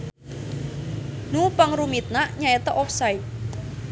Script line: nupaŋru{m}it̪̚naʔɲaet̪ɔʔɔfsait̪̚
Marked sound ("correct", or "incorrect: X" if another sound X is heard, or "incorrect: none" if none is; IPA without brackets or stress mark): correct